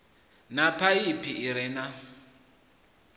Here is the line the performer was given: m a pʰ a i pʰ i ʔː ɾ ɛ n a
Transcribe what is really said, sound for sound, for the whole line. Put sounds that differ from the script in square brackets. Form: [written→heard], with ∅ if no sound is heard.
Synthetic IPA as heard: [m→n] a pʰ a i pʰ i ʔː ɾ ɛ n a